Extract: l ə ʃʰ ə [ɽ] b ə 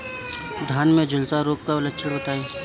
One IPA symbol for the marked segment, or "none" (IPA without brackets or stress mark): ɽ